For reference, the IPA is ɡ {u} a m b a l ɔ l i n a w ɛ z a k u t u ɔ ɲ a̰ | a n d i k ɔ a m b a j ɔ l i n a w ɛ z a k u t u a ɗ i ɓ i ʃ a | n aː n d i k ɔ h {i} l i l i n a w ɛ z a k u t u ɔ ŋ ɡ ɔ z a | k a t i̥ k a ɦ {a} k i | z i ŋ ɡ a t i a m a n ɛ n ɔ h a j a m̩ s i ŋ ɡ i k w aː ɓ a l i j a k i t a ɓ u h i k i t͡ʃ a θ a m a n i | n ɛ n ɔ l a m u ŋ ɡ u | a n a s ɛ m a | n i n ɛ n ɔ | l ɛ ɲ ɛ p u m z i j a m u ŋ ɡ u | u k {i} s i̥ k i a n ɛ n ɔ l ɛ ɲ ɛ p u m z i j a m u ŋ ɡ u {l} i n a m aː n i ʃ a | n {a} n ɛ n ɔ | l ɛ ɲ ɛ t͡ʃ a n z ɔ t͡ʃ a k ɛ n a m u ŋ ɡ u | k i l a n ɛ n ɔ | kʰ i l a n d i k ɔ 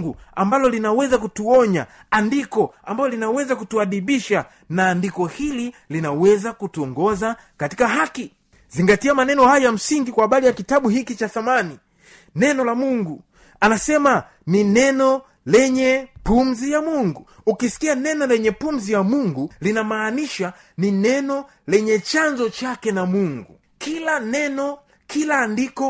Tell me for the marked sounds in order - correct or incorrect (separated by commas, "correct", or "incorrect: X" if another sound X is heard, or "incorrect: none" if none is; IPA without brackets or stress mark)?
correct, correct, correct, correct, correct, incorrect: i